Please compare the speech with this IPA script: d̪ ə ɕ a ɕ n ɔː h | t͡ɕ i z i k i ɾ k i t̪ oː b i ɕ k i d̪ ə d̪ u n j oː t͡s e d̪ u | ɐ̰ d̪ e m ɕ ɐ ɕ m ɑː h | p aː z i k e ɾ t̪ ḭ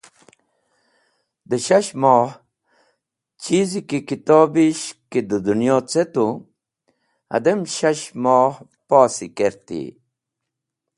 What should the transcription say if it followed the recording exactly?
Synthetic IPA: d̪ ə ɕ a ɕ m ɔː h | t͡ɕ i z i k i k i t̪ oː b i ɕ k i d̪ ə d̪ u n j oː t͡s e t̪ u | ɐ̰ d̪ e m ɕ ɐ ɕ m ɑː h | p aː s i k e ɾ t̪ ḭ